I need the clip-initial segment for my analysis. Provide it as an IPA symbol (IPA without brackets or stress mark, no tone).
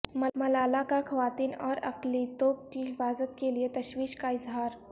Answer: m